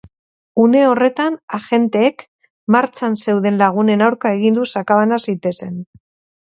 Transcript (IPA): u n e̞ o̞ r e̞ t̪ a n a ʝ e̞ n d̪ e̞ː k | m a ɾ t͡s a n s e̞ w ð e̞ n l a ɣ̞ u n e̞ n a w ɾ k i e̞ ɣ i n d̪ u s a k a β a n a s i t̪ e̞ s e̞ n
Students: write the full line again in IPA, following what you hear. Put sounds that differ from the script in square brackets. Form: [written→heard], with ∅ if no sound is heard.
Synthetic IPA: u n e̞ o̞ r e̞ t̪ a n a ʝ e̞ n [d̪→t̪] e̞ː k | m a ɾ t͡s a n s e̞ w ð e̞ n l a ɣ̞ u n e̞ n a w ɾ k [i→a] e̞ ɣ i n d̪ u s a k a β a n a s i t̪ e̞ s e̞ n